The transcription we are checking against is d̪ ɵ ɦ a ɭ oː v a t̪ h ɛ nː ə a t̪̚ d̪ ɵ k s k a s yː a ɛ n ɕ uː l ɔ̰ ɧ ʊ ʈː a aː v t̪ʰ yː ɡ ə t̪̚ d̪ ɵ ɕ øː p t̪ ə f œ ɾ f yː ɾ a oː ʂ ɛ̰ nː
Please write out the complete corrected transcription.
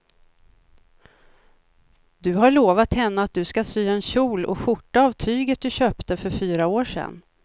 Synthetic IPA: d̪ ɵ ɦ a ɭ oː v a t̪ h ɛ nː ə a t̪̚ d̪ ɵ s k a s yː a ɛ n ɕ uː l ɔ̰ ɧ ʊ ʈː a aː v t̪ʰ yː ɡ ə t̪̚ d̪ ɵ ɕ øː p t̪ ə f œ ɾ f yː ɾ a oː ʂ ɛ̰ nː